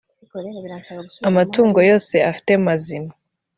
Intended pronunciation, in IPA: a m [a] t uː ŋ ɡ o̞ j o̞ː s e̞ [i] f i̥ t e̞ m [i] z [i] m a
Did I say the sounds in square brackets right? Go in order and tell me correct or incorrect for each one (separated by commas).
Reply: correct, incorrect, incorrect, correct